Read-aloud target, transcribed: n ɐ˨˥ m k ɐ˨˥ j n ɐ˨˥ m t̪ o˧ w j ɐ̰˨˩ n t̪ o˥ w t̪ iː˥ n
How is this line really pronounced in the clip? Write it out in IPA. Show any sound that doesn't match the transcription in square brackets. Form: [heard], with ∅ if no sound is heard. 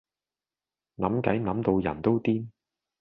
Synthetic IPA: n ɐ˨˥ m k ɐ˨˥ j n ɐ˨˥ m t̪ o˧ w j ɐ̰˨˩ n t̪ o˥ w t̪ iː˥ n